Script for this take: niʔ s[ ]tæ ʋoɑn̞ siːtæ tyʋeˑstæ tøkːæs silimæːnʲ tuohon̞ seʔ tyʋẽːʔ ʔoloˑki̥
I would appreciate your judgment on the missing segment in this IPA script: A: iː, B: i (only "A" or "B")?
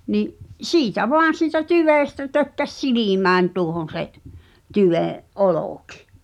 A